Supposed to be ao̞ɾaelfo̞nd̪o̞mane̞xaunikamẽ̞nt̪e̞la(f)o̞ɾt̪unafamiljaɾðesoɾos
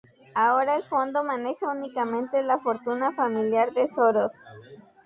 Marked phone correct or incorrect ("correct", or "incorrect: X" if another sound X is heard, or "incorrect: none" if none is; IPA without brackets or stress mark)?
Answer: correct